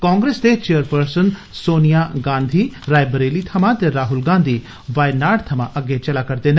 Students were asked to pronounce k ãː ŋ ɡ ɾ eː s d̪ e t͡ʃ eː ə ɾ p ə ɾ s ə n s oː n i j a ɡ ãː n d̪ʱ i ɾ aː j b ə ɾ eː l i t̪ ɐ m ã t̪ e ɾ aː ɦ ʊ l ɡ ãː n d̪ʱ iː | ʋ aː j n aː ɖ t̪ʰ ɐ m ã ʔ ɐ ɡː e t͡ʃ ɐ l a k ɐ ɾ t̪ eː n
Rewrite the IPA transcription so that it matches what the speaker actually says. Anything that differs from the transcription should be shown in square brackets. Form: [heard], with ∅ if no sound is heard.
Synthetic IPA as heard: k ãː ŋ ɡ ɾ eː s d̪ e t͡ʃ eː ə ɾ p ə ɾ s ə n s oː n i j a ɡ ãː n d̪ʱ i ɾ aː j b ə ɾ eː l i [t̪ʰ] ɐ m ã t̪ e ɾ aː ɦ ʊ l ɡ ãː n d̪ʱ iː | ʋ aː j n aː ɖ t̪ʰ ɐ m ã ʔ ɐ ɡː e t͡ʃ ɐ l a k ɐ ɾ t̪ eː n